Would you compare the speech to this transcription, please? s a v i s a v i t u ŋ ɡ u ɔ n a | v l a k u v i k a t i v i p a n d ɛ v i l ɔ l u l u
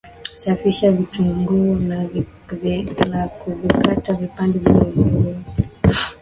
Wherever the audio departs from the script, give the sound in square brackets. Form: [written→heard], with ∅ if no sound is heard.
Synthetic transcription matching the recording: s a [v→f] i [s→ʃ] a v i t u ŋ ɡ u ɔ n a | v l a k u v i k a t [i→a] v i p a n d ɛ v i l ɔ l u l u